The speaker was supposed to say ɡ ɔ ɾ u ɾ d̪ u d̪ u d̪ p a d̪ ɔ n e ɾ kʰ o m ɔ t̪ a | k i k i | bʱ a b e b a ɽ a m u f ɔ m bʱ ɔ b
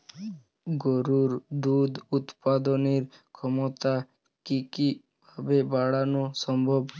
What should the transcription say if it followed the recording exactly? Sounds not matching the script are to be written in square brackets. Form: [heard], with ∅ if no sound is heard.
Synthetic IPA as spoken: ɡ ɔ ɾ u ɾ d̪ u d̪ u [t̪] p a d̪ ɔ n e ɾ kʰ [ɔ] m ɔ t̪ a | k i k i | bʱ a b e b a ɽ a [n] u [s] ɔ m bʱ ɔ b